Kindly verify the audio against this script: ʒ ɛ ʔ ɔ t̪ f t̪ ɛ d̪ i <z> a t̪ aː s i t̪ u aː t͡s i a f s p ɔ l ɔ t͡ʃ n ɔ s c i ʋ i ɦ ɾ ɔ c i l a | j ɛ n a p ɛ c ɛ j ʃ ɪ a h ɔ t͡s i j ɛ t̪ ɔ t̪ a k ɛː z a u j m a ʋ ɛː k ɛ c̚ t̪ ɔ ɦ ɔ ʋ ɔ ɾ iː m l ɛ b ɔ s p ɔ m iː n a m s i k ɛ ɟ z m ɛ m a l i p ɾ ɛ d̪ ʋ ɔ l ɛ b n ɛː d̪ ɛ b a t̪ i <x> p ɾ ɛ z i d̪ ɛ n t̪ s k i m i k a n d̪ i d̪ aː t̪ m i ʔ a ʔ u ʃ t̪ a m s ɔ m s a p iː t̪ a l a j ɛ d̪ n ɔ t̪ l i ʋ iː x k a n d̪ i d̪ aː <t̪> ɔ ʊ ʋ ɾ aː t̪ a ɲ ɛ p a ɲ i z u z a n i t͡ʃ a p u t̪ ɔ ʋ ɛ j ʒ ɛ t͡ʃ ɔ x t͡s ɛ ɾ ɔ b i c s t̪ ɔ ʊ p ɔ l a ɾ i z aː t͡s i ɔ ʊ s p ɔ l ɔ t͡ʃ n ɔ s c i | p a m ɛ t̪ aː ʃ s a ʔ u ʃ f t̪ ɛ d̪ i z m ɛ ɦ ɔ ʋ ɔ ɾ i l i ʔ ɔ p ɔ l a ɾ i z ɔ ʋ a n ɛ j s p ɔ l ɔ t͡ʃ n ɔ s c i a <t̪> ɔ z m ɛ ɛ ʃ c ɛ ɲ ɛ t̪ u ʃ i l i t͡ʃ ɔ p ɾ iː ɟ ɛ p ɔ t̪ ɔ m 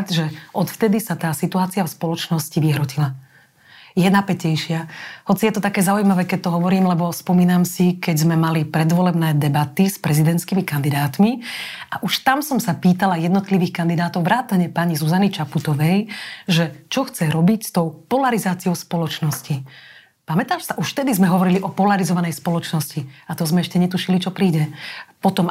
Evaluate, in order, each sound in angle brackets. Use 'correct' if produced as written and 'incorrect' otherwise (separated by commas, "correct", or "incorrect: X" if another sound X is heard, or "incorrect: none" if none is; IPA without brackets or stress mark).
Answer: incorrect: s, incorrect: s, correct, correct